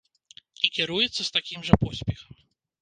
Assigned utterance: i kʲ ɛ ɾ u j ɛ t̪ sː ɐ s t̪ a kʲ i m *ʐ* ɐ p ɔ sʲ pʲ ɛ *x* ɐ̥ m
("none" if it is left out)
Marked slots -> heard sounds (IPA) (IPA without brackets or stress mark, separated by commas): ʐ, x